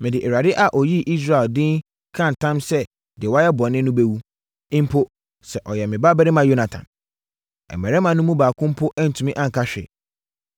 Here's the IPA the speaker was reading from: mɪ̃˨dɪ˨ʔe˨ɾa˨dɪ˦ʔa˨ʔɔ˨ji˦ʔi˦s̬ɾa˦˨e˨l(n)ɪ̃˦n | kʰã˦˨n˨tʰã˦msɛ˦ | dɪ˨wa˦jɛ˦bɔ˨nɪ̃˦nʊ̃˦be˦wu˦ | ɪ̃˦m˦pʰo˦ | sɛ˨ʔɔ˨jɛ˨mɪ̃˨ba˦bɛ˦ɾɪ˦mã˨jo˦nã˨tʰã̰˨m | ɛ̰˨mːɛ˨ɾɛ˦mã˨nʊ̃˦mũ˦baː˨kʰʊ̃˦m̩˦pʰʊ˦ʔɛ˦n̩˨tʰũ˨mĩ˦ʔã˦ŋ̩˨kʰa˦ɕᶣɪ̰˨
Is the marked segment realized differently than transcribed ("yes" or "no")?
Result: yes